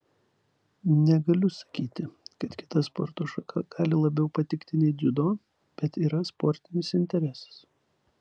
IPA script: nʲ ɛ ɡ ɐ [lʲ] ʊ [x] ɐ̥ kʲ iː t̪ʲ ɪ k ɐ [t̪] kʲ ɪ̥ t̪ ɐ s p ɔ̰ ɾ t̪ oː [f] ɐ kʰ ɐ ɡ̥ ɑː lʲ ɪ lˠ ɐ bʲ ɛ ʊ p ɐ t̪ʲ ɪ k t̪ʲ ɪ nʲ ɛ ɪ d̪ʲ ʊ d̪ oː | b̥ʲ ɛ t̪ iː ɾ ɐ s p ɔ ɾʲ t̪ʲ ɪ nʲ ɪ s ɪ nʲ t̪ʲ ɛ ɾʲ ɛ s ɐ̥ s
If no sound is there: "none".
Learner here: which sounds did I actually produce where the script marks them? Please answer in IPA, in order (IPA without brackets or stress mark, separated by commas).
lʲ, s, t̪, ʃ